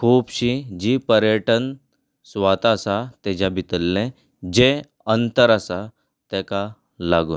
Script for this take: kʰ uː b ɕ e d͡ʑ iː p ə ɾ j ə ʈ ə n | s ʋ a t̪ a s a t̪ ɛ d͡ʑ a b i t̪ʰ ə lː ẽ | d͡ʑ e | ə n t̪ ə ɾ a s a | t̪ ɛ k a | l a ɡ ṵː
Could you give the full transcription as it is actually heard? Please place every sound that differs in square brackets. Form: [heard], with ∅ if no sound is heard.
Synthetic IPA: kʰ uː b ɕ [i] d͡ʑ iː p ə ɾ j ə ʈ ə n | s ʋ a t̪ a s a t̪ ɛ d͡ʑ a b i [t̪] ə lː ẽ | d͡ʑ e | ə n t̪ ə ɾ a s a | t̪ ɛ k a | l a ɡ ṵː

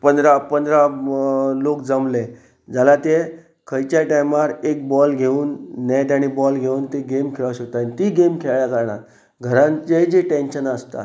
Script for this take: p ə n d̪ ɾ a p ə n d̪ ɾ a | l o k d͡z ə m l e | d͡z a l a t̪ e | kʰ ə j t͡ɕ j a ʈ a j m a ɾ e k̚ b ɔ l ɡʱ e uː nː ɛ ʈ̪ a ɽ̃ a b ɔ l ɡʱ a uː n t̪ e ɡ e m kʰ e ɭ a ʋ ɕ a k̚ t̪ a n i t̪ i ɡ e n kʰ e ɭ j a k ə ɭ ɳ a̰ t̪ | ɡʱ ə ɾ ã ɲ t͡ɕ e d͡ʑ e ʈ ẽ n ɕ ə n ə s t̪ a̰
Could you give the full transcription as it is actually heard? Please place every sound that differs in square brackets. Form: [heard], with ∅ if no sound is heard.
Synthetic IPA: p ə n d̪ ɾ a p ə n d̪ ɾ a | l o k d͡z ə m l e | d͡z a l a t̪ e | kʰ ə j t͡ɕ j a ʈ a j m a ɾ e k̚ b ɔ l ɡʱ e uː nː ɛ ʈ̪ a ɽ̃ [i] b ɔ l ɡʱ [e] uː n t̪ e ɡ e m kʰ e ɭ a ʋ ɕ [ə] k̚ t̪ a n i t̪ i ɡ e [m] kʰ e ɭ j a k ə [ɾ] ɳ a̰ t̪ | ɡʱ ə ɾ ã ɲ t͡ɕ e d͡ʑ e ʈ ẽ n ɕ ə n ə s t̪ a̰

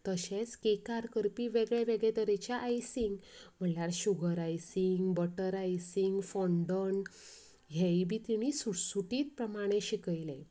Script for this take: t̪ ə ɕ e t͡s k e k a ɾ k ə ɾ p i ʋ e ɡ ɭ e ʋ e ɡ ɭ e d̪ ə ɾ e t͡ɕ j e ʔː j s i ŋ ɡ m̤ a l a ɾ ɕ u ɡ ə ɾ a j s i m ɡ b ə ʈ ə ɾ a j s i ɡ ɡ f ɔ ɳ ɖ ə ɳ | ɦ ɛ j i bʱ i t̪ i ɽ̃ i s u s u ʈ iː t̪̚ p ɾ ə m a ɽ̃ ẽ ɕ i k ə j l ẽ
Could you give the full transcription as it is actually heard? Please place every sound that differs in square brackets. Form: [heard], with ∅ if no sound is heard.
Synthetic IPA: t̪ ə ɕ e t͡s k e k a ɾ k ə ɾ p i ʋ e ɡ ɭ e ʋ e ɡ ɭ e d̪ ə ɾ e t͡ɕ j [a] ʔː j s i ŋ ɡ m̤ [ə] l a ɾ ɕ u ɡ ə ɾ a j s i [ŋ] ɡ b ə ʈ ə ɾ a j s i [ŋ] ɡ f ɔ ɳ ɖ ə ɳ | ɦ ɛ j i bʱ i t̪ i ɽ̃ i s u s u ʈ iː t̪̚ p ɾ ə m a ɽ̃ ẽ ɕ i k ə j l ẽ

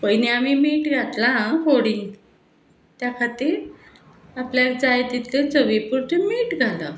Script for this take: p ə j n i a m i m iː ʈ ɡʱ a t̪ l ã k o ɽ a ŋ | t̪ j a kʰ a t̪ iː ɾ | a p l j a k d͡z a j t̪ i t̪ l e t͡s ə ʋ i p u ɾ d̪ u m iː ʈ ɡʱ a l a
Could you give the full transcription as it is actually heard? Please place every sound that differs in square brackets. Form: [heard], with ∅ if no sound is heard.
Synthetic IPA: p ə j n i a m i m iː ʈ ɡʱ a t̪ l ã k o ɽ [i] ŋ | t̪ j a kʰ a t̪ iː ɾ | a p l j a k d͡z a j t̪ i t̪ l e t͡s ə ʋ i p u ɾ [t̪] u m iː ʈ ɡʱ a l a

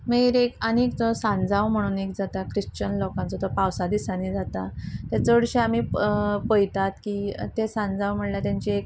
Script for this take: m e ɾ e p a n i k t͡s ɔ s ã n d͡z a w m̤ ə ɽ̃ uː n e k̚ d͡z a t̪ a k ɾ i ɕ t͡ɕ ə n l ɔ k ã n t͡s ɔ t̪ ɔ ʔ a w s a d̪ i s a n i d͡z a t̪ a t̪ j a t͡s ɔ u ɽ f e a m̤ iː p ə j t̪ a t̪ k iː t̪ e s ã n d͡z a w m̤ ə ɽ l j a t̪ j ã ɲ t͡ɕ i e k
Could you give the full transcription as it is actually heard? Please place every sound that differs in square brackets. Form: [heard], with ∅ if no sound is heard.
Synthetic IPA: m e ɾ e [k] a n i k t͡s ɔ s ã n d͡z a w m̤ ə ɽ̃ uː n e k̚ d͡z a t̪ a k ɾ i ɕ t͡ɕ ə n l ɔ k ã n t͡s ɔ t̪ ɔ [p] a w s a d̪ i s a n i d͡z a t̪ a t̪ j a t͡s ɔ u ɽ [ɕ] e a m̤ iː p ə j t̪ a t̪ k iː t̪ e s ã n d͡z a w m̤ ə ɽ l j a t̪ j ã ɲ t͡ɕ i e k

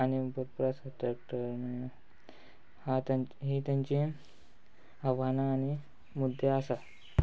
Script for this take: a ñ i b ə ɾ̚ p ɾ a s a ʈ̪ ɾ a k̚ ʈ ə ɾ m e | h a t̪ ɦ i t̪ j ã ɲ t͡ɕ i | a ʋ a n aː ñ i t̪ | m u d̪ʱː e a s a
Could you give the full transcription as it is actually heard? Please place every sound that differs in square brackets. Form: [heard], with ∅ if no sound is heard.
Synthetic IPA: a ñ i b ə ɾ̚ p ɾ a s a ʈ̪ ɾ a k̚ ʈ ə ɾ m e | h a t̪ ɦ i t̪ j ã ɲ t͡ɕ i | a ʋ a n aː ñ i [∅] | m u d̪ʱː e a s a

